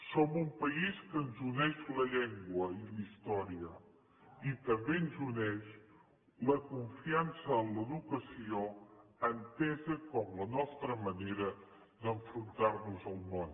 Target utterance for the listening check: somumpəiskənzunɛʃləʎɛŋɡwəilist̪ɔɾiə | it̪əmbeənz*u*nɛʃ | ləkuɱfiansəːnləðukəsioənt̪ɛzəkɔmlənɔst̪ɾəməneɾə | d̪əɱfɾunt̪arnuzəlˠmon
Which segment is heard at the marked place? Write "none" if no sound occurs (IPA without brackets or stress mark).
u